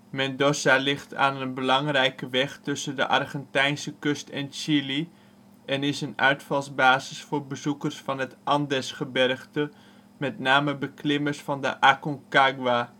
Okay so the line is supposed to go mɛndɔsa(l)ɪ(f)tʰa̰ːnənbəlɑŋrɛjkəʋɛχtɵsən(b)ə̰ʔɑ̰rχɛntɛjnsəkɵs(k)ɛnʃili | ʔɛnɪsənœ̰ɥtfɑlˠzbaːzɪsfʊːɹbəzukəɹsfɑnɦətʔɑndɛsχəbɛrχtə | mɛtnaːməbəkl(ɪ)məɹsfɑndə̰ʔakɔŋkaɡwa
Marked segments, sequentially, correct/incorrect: correct, incorrect, incorrect, incorrect, correct

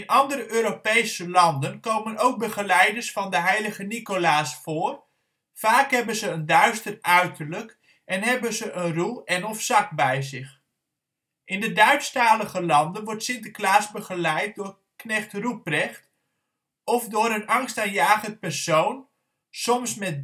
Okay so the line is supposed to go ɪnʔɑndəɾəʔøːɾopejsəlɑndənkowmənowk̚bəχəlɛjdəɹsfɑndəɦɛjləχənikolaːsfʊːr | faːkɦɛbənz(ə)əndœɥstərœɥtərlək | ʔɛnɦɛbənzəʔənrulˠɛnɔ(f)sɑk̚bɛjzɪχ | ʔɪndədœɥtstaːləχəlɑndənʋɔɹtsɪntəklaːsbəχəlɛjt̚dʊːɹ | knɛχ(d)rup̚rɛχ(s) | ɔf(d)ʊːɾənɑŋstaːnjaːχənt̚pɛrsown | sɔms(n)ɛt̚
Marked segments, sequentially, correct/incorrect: correct, correct, incorrect, incorrect, correct, incorrect

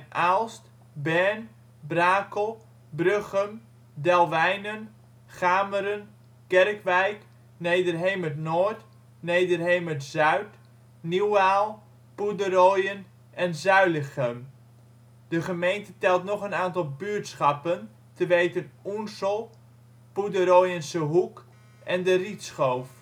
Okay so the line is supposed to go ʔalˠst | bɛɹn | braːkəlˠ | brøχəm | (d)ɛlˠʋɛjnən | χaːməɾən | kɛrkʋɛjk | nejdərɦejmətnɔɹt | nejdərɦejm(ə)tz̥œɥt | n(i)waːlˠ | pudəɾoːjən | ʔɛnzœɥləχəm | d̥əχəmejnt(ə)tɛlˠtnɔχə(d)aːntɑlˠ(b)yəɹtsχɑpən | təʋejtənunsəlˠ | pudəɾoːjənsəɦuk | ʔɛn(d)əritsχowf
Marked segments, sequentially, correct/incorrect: correct, correct, correct, correct, incorrect, correct, correct

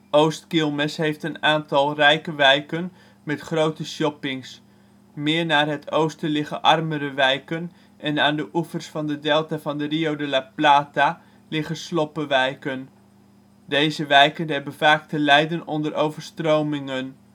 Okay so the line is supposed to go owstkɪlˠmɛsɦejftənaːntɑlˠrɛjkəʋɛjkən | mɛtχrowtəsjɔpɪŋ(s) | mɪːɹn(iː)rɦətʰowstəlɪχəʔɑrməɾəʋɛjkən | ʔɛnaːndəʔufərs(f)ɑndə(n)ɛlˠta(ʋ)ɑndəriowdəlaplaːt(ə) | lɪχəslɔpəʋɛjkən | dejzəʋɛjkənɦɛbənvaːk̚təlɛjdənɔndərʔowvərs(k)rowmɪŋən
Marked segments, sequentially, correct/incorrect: correct, incorrect, correct, incorrect, incorrect, incorrect, incorrect

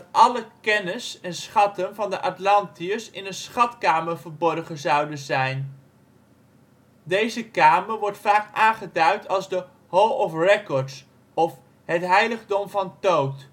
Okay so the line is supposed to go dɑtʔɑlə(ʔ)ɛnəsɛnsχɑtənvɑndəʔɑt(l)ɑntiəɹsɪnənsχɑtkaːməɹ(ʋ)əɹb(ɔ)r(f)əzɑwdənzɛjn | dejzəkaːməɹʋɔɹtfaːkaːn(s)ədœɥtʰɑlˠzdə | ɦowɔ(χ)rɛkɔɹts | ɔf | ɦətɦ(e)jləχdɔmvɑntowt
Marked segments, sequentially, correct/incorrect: incorrect, correct, incorrect, correct, incorrect, incorrect, incorrect, incorrect

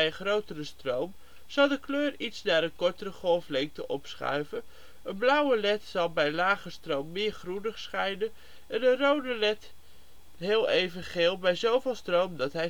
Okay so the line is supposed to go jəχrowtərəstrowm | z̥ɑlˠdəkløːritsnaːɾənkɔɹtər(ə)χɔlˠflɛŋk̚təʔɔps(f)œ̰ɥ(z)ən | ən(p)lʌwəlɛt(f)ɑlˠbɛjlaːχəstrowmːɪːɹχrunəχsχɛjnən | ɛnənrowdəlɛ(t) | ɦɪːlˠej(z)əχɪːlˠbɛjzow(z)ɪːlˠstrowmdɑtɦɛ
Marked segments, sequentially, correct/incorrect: correct, incorrect, incorrect, incorrect, incorrect, correct, incorrect, incorrect

